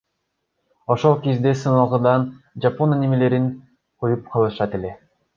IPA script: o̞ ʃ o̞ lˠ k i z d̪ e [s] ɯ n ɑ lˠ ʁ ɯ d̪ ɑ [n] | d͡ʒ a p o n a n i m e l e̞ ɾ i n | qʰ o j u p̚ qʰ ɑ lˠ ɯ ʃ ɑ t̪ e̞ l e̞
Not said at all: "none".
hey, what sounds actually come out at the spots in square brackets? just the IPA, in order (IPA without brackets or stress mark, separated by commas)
s, n